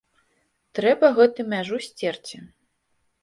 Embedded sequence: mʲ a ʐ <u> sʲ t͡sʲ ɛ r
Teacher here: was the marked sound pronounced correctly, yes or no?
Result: yes